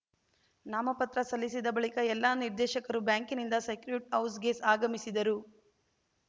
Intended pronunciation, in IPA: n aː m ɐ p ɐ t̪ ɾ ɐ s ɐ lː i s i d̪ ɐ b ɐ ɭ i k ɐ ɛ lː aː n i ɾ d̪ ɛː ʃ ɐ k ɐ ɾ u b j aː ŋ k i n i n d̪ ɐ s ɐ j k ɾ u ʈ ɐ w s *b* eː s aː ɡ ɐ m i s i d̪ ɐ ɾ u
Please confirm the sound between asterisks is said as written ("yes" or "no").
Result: no